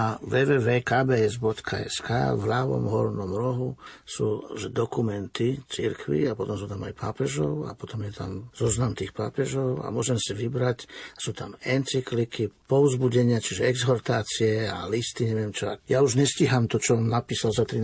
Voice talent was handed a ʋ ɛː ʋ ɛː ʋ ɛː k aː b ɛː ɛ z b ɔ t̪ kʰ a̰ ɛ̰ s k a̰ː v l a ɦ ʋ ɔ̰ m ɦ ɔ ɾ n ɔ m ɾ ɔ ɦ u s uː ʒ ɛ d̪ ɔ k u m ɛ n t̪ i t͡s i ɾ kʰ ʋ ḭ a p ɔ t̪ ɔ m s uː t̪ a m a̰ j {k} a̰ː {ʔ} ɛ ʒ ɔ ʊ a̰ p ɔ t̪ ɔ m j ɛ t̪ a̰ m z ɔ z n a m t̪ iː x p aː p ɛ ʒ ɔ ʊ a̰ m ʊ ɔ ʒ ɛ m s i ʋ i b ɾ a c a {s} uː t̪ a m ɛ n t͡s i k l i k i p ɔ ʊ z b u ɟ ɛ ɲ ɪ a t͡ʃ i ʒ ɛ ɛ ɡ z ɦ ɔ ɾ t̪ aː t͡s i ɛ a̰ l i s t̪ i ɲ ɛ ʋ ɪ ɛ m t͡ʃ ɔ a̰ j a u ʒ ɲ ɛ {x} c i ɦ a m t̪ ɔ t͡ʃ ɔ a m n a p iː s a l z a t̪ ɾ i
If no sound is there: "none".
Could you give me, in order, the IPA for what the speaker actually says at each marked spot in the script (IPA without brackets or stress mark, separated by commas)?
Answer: p, p, s, s